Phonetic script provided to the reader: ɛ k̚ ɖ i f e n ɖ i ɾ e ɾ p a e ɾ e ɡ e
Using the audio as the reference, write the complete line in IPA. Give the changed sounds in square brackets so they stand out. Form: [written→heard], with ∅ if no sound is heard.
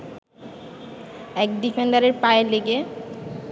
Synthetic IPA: ɛ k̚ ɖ i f e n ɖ [i→a] ɾ e ɾ p a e [ɾ→l] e ɡ e